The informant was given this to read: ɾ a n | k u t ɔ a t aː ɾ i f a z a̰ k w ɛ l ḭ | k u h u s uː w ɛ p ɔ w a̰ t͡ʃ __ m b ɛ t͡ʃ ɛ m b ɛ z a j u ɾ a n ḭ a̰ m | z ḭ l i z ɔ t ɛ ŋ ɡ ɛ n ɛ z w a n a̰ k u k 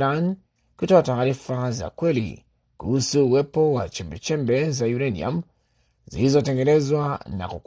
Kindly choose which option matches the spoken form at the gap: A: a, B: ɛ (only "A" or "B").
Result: B